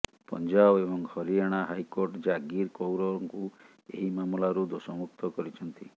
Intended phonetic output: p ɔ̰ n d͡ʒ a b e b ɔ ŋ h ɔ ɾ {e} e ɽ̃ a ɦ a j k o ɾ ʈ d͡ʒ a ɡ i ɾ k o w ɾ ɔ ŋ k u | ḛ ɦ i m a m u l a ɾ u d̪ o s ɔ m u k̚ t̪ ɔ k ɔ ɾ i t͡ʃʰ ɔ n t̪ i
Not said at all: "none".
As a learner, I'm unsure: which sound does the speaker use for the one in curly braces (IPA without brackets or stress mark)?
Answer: i